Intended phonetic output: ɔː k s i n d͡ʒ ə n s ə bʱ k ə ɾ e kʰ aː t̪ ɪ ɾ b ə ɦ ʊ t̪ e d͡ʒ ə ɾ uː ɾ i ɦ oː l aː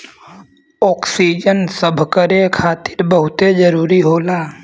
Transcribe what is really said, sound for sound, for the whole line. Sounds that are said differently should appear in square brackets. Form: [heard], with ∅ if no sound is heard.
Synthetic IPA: ɔː k s i [∅] d͡ʒ ə n s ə bʱ k ə ɾ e kʰ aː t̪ ɪ ɾ b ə ɦ ʊ t̪ e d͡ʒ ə ɾ uː ɾ i ɦ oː l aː